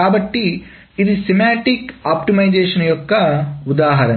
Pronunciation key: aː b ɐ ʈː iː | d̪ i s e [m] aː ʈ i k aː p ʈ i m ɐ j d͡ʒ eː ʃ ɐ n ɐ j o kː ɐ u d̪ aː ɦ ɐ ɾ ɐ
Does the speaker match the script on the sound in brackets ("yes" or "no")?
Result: yes